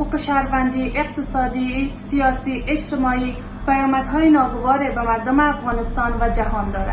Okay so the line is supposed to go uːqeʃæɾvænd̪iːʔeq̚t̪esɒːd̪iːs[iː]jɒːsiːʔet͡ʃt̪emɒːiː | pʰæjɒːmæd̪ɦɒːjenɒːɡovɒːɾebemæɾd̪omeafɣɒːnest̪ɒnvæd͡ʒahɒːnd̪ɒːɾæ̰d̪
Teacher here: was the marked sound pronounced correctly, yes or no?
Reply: no